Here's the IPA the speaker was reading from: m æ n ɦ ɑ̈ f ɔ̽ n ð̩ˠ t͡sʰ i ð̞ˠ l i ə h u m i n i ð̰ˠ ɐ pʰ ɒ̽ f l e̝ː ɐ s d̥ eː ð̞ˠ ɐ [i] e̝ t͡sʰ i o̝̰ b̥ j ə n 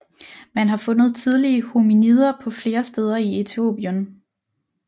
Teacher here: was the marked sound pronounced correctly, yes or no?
yes